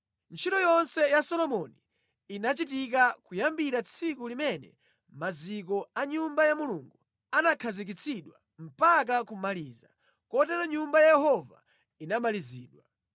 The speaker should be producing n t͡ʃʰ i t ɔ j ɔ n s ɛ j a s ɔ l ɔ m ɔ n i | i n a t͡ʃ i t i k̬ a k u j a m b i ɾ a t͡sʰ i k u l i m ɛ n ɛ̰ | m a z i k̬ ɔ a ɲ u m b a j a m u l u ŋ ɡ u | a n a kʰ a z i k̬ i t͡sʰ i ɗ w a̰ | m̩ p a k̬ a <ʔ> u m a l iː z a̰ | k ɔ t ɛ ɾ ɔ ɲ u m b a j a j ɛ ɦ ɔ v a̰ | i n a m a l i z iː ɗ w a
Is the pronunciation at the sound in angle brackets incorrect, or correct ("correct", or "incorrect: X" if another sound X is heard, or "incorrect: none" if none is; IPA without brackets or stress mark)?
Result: incorrect: k